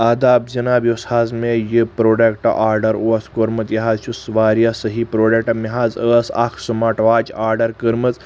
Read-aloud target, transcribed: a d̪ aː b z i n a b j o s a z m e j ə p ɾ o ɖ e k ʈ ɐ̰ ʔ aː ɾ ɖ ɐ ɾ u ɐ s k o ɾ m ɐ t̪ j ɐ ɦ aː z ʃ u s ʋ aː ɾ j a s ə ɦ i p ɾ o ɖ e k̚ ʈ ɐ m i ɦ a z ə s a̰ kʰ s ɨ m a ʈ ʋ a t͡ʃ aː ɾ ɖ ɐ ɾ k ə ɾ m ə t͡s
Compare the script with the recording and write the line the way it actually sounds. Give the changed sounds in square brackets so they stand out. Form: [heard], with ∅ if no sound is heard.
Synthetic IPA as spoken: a d̪ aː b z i n a b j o s a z m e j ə p ɾ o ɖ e k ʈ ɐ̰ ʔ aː ɾ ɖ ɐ ɾ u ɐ s k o ɾ m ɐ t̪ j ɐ ɦ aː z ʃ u s ʋ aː ɾ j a s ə ɦ i p ɾ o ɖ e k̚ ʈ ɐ m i ɦ a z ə s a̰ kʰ s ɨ m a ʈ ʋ a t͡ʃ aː ɾ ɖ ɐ ɾ k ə ɾ m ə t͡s